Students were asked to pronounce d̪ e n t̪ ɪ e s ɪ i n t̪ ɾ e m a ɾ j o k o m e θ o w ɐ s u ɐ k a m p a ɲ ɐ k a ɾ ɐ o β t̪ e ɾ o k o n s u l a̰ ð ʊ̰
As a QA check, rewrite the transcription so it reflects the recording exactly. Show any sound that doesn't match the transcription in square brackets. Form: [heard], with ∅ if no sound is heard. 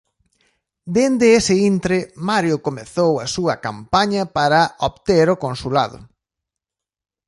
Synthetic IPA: d̪ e n [d̪] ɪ e s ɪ i n t̪ ɾ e m a ɾ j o k o m e θ o w ɐ s u ɐ k a m p a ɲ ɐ [p] a ɾ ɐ o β t̪ e ɾ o k o n s u l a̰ ð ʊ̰